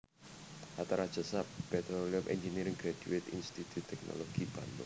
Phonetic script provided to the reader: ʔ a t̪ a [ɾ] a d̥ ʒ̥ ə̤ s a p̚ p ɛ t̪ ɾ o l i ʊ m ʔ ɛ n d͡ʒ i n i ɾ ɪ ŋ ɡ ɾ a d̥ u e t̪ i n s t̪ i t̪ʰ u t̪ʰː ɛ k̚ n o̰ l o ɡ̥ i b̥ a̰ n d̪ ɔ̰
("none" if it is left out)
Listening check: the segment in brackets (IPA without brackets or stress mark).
ɾ